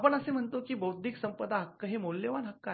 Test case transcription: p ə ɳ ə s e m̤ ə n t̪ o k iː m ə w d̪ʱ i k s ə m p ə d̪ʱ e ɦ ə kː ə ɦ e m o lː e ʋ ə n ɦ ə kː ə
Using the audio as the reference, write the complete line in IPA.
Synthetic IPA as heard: p ə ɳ ə s e m̤ ə ɳ t̪ o k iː b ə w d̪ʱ i k s ə m p ə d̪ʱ a ɦ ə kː ə ɦ e m o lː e ʋ a n ɦ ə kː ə

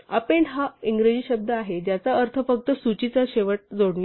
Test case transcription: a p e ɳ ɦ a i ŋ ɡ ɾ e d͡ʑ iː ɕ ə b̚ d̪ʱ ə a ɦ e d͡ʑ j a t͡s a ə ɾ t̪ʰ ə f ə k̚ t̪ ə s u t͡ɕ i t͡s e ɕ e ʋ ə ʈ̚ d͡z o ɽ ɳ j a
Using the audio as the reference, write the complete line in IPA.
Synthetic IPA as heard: a p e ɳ ɦ a i ŋ ɡ ɾ e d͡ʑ iː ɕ ə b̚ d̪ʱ ə a ɦ e d͡ʑ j a t͡s a ə ɾ t̪ʰ ə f ə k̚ t̪ ə s u t͡ɕ i t͡s a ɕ e ʋ ə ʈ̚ d͡z o ɽ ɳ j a

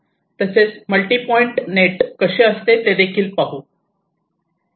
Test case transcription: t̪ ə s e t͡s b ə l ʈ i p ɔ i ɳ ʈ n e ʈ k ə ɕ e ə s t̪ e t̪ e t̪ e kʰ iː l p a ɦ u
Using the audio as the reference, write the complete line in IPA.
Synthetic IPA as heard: t̪ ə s e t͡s m ə l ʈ i p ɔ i ɳ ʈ n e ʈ k ə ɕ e ə s t̪ e t̪ e d̪ e kʰ iː l p a ɦ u

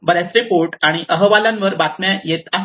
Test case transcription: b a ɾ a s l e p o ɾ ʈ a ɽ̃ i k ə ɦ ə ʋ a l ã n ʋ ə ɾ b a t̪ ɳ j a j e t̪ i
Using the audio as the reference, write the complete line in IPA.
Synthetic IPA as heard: b ə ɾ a s ɾ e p o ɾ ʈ a ɽ̃ i ʔ ə ɦ ə ʋ a l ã n ʋ ə ɾ b a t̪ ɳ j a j e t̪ a

